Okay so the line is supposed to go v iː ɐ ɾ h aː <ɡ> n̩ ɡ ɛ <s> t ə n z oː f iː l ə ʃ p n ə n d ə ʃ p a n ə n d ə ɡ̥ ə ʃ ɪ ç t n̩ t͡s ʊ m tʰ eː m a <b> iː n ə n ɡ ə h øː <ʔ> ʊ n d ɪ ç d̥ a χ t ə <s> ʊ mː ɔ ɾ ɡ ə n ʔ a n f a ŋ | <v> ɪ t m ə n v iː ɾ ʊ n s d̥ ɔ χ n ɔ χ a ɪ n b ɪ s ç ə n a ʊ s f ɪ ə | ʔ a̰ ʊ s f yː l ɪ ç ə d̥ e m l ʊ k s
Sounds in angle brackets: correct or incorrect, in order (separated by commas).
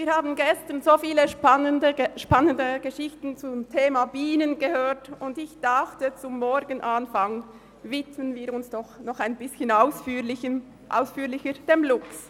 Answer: incorrect, correct, correct, incorrect, incorrect, correct